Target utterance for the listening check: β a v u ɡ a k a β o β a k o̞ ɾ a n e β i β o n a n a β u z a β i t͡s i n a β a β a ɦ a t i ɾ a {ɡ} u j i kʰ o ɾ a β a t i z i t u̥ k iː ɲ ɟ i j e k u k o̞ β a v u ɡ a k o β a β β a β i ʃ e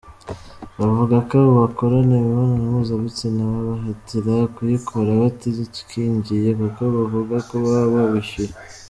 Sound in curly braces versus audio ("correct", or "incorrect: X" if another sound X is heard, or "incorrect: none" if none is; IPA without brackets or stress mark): incorrect: k